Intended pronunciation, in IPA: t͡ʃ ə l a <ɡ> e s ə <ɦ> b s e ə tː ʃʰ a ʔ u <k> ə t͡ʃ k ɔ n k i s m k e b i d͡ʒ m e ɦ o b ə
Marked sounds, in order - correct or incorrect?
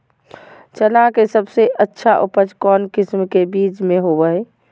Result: incorrect, incorrect, incorrect

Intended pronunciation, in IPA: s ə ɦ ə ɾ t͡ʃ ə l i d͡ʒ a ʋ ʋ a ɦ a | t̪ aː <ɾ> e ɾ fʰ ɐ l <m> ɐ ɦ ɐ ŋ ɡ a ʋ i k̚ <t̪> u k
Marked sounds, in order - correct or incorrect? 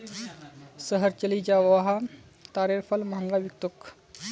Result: correct, correct, correct

